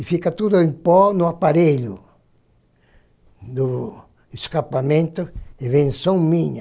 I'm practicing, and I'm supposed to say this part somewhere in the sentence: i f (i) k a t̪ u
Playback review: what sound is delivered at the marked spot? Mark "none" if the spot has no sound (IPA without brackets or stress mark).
i